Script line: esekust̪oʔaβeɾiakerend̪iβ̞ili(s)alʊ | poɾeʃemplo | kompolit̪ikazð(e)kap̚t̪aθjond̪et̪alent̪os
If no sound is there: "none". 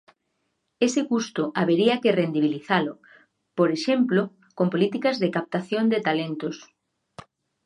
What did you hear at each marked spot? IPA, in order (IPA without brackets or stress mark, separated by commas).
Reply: θ, e